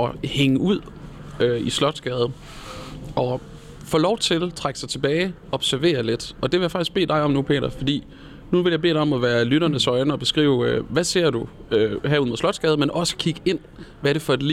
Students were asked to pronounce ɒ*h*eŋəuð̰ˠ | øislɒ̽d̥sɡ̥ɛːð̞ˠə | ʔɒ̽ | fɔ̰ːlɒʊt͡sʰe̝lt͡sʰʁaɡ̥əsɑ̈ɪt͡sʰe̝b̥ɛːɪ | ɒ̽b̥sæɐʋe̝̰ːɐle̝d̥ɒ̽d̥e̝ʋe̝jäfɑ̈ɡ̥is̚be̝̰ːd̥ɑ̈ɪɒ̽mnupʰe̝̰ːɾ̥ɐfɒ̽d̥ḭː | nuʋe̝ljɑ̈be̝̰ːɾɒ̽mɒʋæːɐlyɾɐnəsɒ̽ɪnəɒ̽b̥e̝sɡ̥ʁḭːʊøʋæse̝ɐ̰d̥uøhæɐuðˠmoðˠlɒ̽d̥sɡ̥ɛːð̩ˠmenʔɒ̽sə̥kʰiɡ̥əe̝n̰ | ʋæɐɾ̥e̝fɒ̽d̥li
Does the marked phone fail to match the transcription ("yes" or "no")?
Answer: no